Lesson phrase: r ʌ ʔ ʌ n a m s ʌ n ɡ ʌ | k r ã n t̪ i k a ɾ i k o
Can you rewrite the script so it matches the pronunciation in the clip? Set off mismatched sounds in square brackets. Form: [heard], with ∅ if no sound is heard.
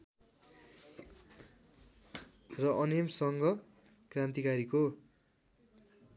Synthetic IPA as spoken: r ʌ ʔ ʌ n [e] m s ʌ [ŋ] ɡ ʌ | k r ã n t̪ i k a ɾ i k o